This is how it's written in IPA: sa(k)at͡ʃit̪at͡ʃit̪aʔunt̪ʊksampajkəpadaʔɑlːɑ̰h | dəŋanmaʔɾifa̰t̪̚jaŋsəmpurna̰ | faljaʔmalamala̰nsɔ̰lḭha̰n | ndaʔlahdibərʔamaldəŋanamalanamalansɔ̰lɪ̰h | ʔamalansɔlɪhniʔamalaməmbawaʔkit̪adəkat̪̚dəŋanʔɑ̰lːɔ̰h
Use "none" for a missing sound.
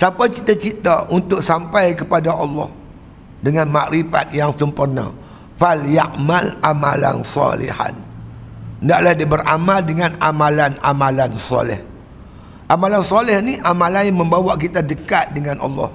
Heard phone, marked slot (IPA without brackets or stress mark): p